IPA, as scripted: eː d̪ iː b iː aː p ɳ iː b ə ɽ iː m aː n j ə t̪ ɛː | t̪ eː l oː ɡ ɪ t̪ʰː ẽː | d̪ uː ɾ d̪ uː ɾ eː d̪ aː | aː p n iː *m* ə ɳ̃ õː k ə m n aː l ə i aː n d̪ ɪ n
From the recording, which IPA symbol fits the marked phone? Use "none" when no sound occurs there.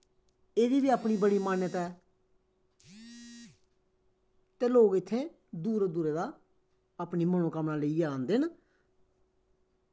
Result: m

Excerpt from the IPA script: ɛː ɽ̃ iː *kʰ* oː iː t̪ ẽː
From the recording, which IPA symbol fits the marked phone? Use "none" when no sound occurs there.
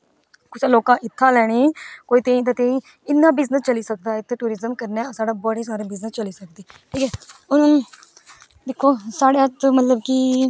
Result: k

